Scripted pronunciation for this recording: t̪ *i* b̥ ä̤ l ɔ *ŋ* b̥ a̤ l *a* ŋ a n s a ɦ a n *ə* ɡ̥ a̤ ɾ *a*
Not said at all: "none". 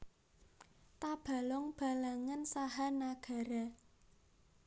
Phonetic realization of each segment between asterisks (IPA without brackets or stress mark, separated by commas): a, ŋ, a, a, a